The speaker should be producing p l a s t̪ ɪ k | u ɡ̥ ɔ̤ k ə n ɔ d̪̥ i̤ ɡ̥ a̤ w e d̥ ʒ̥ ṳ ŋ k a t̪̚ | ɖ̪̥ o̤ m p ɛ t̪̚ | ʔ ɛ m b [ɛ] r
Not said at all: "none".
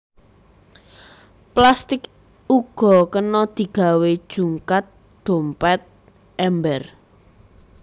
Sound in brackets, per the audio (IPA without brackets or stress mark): ɛ